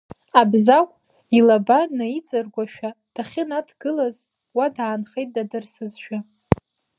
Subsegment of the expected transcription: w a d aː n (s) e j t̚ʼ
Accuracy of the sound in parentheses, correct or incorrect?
incorrect: χ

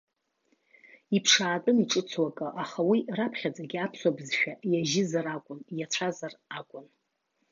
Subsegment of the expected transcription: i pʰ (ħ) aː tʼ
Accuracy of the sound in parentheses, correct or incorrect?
incorrect: ʂ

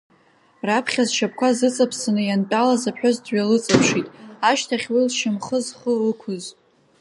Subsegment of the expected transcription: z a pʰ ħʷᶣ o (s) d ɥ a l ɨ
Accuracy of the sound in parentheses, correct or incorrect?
incorrect: z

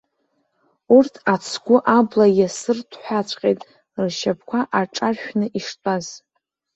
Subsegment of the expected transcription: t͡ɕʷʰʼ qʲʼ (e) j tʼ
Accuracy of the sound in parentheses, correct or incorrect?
correct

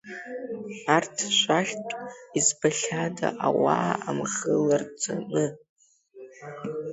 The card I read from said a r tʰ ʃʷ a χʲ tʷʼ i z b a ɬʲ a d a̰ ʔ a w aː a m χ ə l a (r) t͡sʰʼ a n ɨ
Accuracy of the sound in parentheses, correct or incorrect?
correct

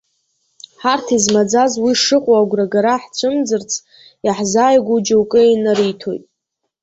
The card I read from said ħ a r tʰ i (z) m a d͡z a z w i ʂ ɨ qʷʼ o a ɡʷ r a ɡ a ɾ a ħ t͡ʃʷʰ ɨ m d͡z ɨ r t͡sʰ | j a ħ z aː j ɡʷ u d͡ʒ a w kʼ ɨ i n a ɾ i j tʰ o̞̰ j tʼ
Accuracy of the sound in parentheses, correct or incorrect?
correct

